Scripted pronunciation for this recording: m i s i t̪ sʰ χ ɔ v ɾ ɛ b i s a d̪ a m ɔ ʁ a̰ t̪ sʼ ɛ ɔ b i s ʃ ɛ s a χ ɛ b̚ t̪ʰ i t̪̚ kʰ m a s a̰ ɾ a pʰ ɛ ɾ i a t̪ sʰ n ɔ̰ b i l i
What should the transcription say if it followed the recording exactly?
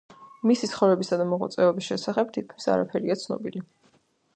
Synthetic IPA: m i s i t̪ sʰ χ ɔ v ɾ ɛ b i s a d̪ a m ɔ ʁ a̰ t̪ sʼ ɛ ɔ b i s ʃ ɛ s a χ ɛ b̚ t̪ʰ i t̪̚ kʰ m i s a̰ ɾ a pʰ ɛ ɾ i a t̪ sʰ n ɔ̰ b i l i